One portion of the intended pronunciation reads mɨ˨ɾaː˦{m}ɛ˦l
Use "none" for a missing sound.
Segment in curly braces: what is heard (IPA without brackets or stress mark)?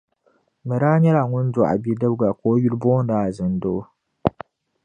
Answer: ɲ